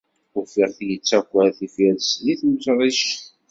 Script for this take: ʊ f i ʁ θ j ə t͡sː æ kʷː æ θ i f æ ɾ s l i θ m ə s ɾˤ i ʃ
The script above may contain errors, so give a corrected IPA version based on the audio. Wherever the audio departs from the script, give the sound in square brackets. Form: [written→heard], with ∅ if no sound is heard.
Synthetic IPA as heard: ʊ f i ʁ θ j ə t͡sː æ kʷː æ θ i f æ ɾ s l i θ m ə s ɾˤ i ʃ